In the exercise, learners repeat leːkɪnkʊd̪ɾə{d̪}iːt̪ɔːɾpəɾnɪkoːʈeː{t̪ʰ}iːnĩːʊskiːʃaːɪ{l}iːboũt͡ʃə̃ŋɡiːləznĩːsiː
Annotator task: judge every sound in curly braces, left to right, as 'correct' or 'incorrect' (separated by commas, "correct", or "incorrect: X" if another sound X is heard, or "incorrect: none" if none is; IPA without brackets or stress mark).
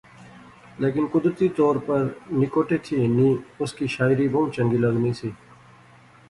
incorrect: t̪, correct, incorrect: ɾ